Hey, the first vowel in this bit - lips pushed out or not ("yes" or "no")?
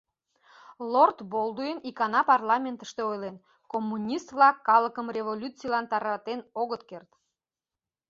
yes